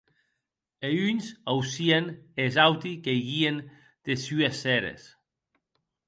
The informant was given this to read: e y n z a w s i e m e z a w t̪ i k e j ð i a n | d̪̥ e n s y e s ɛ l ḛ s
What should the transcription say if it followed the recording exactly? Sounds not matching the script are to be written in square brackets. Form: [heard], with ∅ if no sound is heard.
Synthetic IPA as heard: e y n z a w s i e [n] e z a w t̪ i k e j [ɣ] i [e] n | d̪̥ e [∅] s y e s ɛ [ɾ] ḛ s